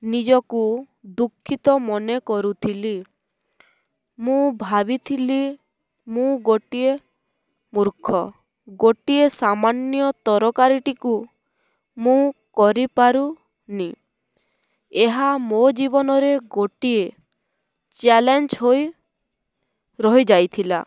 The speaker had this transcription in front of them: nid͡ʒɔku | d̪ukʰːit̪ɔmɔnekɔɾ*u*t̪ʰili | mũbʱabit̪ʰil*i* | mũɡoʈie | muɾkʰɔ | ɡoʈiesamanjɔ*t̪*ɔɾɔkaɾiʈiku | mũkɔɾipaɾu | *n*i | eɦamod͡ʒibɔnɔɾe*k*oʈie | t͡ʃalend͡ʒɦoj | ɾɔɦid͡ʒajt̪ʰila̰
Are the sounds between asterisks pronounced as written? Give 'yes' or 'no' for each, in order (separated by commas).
yes, yes, yes, yes, no